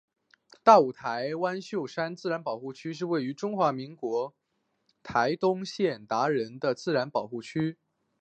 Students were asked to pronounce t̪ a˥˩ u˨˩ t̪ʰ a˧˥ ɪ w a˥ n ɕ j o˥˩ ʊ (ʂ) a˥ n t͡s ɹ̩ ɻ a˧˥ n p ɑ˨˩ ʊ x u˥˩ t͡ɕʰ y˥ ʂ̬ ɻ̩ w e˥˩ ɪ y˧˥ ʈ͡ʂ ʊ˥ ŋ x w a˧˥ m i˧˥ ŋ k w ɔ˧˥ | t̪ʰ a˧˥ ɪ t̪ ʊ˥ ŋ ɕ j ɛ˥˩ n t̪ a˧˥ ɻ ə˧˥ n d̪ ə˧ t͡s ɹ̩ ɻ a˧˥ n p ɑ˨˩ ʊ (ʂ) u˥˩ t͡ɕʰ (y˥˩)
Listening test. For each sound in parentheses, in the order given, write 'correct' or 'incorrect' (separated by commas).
correct, incorrect, incorrect